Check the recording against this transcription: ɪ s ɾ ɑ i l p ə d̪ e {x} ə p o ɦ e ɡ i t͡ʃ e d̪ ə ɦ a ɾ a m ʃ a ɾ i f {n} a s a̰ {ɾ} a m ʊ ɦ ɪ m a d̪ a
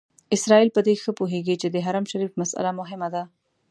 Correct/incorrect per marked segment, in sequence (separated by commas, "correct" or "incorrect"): correct, incorrect, incorrect